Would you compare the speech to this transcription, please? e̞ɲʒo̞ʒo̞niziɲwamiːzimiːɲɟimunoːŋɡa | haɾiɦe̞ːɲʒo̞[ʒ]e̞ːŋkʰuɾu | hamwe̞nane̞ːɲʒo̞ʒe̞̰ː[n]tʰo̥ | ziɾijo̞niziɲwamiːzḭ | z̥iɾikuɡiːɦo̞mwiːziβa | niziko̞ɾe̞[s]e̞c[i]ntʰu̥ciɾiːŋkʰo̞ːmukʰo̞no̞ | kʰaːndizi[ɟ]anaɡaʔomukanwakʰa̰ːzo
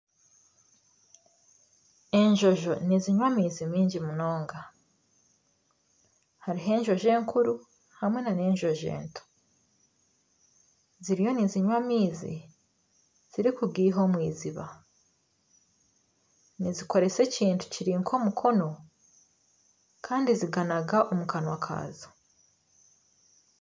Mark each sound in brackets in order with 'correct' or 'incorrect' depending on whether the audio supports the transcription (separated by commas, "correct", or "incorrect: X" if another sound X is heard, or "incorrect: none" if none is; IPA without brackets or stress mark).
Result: correct, correct, correct, incorrect: iː, incorrect: ɡ